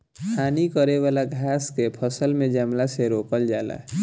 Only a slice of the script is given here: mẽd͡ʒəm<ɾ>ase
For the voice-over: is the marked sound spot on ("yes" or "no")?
no